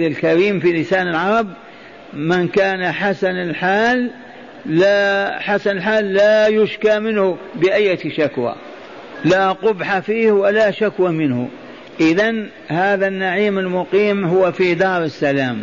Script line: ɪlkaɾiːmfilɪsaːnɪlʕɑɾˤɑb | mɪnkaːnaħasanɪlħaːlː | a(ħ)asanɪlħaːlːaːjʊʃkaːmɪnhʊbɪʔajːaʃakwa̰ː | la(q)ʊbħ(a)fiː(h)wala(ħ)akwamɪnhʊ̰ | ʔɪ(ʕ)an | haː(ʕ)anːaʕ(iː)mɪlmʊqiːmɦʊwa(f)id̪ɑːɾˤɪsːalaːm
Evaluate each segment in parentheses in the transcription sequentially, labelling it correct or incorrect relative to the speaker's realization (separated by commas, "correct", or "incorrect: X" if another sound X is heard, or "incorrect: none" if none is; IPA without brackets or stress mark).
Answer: correct, correct, correct, correct, incorrect: ʃ, incorrect: ð, incorrect: ð, correct, correct